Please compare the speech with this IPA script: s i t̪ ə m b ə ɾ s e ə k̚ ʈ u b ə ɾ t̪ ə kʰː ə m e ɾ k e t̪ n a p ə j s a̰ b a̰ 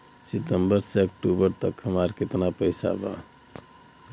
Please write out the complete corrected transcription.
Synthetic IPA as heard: s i t̪ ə m b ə ɾ s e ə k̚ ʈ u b ə ɾ t̪ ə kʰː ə m a ɾ k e t̪ n a p ə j s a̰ b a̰